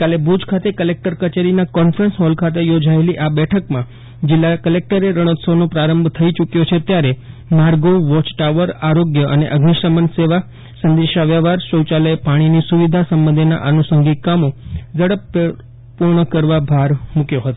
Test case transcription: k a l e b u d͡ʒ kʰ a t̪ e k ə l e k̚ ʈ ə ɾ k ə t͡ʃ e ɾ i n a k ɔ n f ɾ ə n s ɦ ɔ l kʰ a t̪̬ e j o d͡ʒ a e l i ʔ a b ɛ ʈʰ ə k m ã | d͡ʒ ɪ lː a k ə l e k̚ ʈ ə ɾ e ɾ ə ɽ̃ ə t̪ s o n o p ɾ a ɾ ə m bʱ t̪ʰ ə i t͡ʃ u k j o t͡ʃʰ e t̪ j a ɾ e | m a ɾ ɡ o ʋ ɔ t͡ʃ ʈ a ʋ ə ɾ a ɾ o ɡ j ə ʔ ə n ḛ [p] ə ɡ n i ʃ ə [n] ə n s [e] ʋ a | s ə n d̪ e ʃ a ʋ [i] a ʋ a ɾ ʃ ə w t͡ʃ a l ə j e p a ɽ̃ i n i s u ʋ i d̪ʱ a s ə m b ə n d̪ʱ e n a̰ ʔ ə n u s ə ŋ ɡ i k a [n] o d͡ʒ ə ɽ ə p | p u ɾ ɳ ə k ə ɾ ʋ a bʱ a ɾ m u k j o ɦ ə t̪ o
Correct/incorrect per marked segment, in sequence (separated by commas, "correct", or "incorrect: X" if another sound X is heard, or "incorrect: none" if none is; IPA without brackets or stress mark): incorrect: ʔ, incorrect: m, correct, incorrect: j, incorrect: m